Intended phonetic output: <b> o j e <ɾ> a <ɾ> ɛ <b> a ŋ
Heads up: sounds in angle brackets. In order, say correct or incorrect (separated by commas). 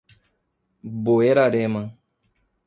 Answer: correct, correct, correct, incorrect